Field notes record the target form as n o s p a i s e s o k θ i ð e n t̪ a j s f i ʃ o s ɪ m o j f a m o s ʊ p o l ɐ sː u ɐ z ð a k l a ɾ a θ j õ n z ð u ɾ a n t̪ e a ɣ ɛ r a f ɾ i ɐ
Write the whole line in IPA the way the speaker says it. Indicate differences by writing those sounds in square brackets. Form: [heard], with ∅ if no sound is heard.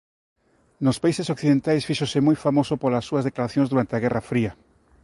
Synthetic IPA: n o s p a i s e s o k θ i ð e n t̪ a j s f i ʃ o s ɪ m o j f a m o s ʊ p o l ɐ sː u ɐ z ð [e] k l a ɾ a θ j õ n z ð u ɾ a n t̪ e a ɣ ɛ r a f ɾ i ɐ